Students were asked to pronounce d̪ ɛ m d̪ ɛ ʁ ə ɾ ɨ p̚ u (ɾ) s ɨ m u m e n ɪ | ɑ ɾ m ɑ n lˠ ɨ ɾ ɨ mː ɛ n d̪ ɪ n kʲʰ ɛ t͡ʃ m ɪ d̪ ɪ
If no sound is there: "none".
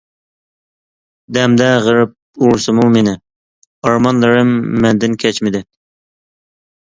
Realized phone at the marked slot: ɾ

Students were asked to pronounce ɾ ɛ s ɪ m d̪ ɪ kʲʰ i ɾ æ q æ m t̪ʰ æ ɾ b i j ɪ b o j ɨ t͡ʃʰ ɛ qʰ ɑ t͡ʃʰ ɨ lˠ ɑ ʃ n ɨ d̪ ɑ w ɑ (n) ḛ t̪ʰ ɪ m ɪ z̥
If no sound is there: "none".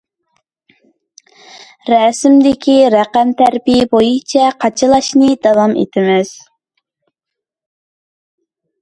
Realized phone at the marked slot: m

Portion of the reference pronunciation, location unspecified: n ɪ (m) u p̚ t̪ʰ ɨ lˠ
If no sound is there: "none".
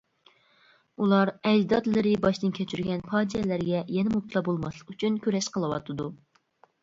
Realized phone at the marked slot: m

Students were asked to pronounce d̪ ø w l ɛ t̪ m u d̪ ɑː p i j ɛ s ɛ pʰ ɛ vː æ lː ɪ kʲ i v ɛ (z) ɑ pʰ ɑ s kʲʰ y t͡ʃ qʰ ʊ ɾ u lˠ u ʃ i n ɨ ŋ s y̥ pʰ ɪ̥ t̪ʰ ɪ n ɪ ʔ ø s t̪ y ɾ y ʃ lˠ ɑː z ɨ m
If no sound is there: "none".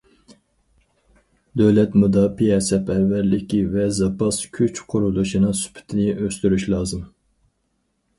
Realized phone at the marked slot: z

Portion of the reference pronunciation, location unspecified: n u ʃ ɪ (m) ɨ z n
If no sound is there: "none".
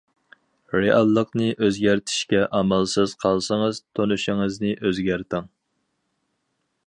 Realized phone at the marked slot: ŋ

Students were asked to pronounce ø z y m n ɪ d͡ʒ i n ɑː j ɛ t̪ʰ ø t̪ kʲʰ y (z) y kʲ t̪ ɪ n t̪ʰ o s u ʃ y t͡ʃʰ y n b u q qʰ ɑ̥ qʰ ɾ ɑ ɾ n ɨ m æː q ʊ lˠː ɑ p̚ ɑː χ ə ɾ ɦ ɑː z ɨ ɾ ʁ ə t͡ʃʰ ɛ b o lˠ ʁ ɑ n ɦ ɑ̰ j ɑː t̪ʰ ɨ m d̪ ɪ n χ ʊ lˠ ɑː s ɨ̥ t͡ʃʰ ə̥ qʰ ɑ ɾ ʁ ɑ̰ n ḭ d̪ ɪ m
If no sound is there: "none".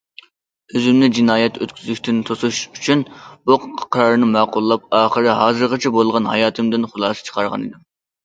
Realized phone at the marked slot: z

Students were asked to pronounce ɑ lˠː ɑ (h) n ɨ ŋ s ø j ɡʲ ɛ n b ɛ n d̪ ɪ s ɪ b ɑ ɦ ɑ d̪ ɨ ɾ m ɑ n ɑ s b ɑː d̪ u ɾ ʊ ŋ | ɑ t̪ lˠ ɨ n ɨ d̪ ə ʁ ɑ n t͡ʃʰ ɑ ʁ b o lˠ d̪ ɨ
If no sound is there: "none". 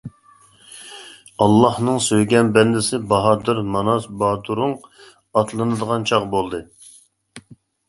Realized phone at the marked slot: h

